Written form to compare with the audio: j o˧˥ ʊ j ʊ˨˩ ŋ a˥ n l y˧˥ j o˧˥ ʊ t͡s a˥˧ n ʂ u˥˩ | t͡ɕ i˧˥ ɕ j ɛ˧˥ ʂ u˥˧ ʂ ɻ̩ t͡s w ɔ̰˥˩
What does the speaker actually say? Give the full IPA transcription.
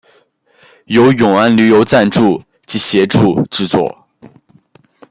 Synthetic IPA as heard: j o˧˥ ʊ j ʊ˨˩ ŋ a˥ n l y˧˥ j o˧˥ ʊ t͡s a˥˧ n ʈ͡ʂ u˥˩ | t͡ɕ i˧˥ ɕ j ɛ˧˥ ʈ͡ʂ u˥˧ ʈ͡ʂ ɻ̩ t͡s w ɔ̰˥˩